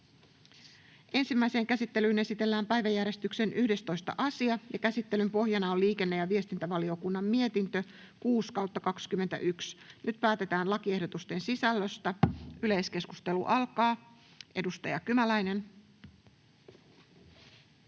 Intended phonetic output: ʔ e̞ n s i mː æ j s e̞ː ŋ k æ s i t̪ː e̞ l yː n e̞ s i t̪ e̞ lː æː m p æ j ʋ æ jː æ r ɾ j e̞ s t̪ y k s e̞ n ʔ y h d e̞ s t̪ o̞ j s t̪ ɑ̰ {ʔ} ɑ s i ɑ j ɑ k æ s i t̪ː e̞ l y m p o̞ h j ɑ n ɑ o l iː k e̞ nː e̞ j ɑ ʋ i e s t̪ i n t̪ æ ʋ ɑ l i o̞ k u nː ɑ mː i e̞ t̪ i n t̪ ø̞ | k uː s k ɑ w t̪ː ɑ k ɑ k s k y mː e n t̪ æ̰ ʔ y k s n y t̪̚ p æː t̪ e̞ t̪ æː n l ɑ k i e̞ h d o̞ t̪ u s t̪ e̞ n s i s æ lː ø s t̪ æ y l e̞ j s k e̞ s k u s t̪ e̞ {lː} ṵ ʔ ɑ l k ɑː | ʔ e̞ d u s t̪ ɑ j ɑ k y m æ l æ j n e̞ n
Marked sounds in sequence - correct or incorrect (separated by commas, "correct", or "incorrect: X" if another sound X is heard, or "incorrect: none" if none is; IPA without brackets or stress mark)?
correct, incorrect: l